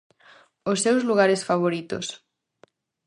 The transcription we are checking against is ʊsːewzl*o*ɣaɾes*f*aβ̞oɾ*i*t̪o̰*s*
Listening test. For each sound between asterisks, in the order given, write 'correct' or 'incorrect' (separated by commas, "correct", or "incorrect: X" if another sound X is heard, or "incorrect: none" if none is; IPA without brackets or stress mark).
incorrect: u, correct, correct, correct